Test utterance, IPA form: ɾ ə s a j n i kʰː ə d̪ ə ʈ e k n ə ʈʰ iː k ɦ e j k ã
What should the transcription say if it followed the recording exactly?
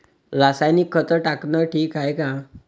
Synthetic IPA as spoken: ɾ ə s a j n i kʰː ə t̪ ə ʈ a k n ə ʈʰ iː k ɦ a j k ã